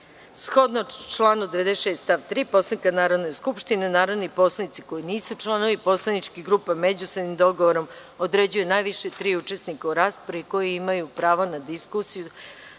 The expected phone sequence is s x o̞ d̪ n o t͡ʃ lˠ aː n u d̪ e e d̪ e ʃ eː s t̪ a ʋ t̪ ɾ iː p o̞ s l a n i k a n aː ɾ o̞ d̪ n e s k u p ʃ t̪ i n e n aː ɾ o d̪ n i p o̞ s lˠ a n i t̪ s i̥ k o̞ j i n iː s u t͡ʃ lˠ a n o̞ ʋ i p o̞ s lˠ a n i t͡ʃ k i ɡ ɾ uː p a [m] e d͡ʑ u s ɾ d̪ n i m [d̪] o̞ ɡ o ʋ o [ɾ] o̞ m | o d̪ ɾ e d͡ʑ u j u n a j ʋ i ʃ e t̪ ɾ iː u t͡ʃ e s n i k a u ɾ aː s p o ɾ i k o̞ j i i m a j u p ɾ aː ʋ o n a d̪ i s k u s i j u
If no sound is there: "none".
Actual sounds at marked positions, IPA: m, d̪, ɾ

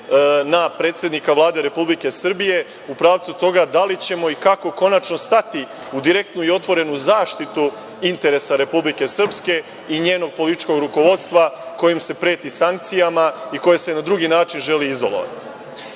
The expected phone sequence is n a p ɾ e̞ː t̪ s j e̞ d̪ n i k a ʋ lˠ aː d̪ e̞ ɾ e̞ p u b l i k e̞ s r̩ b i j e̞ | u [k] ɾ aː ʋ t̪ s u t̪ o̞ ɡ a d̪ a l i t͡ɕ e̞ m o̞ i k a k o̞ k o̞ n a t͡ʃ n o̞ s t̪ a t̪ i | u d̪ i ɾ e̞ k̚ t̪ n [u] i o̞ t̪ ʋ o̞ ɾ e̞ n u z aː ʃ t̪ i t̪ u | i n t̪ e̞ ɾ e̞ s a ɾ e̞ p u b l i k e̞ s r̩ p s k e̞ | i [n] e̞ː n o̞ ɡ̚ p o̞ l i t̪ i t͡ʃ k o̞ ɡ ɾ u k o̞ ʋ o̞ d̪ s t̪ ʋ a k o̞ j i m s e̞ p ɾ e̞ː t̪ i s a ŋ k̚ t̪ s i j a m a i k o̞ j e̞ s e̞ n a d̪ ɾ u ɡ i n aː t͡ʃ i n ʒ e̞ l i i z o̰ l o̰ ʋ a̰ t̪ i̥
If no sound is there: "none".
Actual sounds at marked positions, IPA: p, u, ɲ

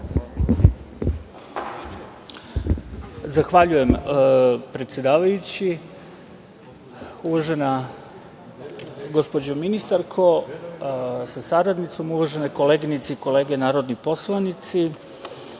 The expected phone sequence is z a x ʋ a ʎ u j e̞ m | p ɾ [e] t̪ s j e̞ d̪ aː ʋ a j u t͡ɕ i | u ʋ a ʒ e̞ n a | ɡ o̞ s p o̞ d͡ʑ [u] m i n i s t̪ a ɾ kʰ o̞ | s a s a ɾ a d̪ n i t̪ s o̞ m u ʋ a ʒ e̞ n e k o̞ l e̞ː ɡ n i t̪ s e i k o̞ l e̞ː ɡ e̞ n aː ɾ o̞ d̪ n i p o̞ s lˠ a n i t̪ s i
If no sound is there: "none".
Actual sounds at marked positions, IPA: e, o

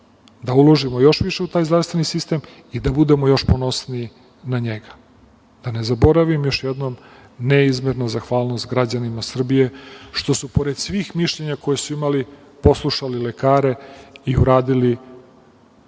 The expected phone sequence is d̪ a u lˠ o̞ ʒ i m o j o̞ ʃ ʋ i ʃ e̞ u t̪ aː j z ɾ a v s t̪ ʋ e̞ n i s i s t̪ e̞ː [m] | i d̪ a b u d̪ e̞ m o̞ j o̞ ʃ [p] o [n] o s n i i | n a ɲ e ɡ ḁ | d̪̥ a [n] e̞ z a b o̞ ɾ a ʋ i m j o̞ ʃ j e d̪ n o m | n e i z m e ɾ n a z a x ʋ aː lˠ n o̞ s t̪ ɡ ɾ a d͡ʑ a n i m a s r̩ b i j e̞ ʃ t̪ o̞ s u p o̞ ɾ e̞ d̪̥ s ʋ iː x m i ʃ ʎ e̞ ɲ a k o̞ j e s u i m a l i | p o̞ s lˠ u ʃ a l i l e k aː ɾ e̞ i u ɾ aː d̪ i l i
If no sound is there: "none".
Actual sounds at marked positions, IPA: m, p, n, n

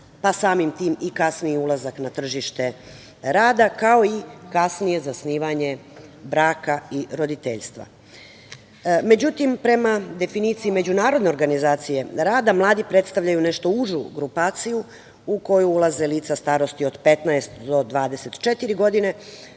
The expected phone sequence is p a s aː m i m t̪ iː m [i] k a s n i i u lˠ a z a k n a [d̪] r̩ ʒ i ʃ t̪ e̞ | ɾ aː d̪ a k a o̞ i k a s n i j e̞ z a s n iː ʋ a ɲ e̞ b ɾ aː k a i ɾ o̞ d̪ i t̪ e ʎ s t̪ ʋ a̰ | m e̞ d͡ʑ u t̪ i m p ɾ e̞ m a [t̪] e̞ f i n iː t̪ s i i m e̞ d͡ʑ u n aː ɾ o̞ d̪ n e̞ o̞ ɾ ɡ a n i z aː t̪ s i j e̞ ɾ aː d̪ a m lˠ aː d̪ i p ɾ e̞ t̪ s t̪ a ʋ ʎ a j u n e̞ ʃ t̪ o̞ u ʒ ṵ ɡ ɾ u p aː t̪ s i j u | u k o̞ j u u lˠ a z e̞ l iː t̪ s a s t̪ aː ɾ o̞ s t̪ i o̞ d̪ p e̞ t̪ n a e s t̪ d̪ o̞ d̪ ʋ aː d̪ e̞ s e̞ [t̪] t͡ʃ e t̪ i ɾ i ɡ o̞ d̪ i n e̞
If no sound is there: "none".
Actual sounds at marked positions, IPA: i, t̪, d̪, t̪

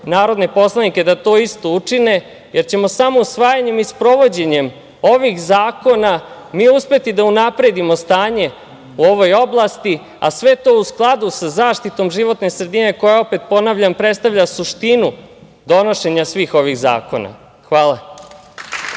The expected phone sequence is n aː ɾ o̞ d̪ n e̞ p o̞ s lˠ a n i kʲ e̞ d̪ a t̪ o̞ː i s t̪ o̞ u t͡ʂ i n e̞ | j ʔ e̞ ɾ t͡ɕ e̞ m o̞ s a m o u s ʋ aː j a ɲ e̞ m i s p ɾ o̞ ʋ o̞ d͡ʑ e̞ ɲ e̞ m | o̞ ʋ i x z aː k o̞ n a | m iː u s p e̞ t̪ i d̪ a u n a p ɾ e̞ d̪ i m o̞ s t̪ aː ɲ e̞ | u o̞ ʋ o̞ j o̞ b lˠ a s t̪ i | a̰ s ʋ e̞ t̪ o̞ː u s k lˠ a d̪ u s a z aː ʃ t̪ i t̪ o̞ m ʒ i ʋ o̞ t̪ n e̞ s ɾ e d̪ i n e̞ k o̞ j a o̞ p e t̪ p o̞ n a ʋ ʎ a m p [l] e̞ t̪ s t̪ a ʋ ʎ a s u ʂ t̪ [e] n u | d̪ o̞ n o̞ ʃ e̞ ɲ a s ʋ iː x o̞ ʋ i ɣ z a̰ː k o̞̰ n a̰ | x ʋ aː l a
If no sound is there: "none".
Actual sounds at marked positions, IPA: ɾ, i

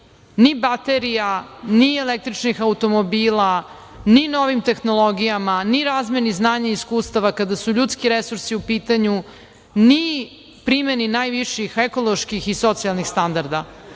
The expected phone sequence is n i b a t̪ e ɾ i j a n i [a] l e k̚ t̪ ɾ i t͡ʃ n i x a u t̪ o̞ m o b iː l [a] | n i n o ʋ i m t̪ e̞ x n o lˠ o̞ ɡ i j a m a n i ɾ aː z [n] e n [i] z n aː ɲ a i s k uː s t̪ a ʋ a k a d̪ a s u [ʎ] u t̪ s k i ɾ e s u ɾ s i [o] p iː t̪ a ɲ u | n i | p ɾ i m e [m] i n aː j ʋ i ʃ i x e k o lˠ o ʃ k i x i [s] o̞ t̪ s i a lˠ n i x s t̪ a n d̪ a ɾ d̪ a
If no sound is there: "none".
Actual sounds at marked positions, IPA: e, a, m, i, ʎ, u, n, s

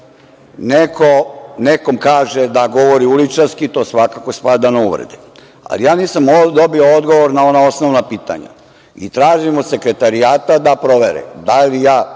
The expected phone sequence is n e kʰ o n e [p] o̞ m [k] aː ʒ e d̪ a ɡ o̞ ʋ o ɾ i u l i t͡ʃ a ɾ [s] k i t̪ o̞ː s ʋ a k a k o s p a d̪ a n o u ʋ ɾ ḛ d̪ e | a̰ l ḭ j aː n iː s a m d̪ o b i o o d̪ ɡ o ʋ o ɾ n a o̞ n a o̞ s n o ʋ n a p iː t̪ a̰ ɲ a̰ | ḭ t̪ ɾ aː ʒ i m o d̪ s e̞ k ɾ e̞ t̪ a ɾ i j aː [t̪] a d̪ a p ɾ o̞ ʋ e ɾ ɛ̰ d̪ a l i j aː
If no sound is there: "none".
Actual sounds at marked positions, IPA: k, k, s, t̪

